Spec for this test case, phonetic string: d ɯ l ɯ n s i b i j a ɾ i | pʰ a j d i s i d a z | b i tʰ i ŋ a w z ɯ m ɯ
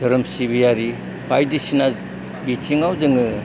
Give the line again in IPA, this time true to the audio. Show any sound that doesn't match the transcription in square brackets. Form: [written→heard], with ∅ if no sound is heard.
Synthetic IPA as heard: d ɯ [l→ɾ] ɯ [n→m] s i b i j a ɾ i | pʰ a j d i s i [d→n] a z | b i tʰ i ŋ a w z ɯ [m→ŋ] ɯ